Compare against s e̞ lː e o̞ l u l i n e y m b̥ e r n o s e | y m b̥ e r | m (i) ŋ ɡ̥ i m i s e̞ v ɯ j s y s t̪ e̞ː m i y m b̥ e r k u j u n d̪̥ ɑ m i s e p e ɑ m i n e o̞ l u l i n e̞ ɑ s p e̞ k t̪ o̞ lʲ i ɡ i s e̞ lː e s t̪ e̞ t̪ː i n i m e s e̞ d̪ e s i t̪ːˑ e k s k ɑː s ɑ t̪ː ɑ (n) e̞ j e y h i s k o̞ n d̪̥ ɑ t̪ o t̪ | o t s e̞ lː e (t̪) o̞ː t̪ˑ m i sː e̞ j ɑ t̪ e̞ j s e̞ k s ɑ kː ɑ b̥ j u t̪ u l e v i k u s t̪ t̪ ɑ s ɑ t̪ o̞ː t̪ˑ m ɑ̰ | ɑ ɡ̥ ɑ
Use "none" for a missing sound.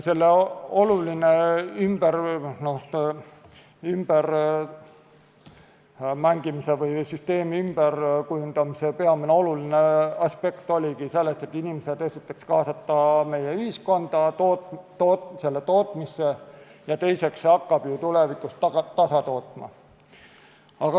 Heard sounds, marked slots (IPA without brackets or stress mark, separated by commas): æ, m, t̪